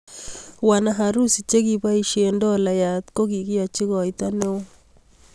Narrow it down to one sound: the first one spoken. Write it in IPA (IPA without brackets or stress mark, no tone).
w